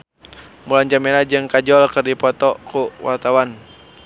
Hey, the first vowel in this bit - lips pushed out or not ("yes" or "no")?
yes